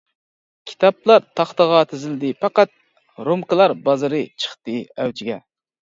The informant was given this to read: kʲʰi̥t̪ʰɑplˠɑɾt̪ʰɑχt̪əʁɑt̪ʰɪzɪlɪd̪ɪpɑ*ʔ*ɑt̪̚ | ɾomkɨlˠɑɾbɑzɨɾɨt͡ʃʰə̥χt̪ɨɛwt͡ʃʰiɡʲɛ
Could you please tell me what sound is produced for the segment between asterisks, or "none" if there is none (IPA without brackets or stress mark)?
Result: q